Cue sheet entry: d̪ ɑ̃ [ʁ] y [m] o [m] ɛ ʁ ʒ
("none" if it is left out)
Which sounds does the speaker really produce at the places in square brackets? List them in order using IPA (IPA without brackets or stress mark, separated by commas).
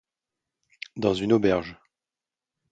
z, n, b